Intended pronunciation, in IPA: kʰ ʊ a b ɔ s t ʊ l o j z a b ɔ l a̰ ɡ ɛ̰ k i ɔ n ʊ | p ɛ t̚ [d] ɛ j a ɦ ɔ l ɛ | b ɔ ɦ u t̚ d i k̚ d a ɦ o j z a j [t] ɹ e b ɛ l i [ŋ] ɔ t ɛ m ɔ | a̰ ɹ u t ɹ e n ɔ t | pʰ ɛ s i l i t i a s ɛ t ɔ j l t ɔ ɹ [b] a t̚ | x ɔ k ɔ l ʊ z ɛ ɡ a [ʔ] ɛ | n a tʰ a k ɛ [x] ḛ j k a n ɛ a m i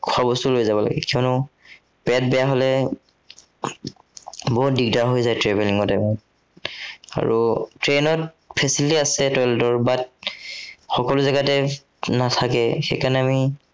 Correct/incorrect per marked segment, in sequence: incorrect, correct, correct, correct, incorrect, correct

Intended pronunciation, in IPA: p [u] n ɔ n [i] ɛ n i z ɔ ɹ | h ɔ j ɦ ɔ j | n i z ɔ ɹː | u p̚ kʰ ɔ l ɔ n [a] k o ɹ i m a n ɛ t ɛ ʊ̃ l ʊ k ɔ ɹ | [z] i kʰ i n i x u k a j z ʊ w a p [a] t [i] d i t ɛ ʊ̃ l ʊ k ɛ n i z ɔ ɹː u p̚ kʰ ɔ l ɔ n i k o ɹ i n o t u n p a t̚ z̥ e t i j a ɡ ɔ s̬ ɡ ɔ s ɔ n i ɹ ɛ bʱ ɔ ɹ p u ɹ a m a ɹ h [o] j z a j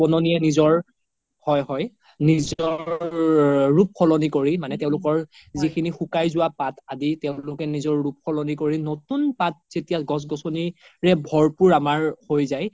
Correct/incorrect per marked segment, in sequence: incorrect, correct, incorrect, correct, correct, incorrect, correct

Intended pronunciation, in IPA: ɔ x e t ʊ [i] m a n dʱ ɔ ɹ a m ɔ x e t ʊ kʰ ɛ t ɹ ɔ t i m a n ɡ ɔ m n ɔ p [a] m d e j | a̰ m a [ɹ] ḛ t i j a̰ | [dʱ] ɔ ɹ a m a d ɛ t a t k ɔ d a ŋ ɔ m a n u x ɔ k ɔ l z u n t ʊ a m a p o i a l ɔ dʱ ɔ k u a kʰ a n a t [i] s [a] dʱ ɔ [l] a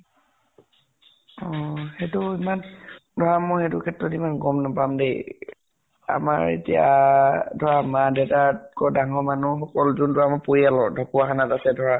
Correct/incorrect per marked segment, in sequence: correct, correct, correct, correct, incorrect, incorrect, incorrect

